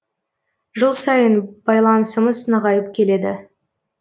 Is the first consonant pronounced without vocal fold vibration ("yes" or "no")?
no